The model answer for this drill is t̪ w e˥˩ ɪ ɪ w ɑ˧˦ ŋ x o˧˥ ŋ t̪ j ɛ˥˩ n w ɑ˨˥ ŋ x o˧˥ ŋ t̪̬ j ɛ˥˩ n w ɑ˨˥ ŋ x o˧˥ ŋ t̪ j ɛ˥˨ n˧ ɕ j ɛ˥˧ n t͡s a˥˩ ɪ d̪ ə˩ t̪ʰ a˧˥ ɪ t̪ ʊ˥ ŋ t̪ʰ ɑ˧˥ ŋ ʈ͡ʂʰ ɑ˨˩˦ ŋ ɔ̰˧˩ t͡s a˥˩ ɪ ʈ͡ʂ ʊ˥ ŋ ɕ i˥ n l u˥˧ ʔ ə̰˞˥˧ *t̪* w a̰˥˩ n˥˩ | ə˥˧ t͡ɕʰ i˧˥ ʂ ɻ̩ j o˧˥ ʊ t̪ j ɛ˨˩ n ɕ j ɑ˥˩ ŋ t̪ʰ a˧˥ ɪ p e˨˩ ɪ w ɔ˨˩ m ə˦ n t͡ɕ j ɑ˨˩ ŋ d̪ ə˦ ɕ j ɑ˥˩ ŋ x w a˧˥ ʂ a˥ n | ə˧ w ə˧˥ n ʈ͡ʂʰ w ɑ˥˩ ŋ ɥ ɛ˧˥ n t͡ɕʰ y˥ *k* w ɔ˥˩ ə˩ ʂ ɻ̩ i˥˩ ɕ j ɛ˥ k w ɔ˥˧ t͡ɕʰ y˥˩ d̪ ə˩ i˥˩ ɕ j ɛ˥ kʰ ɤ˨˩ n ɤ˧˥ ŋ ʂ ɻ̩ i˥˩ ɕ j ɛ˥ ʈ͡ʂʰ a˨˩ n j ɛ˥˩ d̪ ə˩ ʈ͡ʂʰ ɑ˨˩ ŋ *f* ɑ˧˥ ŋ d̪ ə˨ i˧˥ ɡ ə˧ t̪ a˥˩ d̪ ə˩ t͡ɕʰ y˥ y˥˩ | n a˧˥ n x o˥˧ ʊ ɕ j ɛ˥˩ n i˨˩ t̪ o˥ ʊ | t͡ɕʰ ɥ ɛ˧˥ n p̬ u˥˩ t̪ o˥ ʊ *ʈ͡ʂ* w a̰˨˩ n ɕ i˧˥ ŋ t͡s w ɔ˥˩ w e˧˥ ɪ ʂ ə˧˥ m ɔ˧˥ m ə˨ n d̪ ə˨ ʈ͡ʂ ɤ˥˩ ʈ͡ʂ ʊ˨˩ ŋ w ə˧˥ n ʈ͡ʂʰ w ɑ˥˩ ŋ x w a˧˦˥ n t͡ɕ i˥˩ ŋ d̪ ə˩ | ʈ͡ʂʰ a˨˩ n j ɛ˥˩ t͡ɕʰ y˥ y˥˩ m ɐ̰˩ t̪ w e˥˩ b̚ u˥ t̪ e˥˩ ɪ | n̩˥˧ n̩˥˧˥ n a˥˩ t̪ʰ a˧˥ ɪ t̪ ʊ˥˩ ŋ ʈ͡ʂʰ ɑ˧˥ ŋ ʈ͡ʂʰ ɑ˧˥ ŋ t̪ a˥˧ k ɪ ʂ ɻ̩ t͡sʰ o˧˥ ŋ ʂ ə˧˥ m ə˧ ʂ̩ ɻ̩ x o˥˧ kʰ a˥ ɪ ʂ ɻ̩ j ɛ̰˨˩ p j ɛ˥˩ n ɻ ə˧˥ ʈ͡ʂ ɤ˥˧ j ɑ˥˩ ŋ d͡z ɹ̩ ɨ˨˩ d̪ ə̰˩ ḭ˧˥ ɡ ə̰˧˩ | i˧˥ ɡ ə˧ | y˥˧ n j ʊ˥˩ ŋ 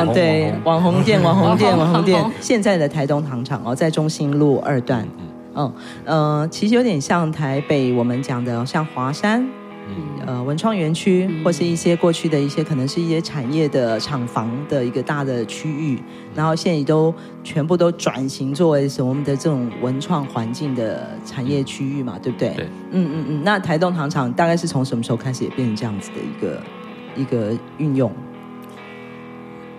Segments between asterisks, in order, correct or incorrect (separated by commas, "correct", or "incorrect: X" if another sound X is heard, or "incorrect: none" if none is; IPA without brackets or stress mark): correct, incorrect: x, correct, correct